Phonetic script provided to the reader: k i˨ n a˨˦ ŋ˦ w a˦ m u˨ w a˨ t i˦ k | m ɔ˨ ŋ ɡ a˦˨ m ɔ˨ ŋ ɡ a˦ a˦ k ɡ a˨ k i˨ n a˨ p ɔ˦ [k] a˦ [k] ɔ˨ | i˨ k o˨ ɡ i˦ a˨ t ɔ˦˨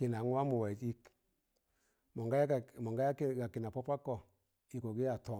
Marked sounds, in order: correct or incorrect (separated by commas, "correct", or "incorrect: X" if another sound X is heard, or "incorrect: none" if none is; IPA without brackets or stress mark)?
incorrect: p, correct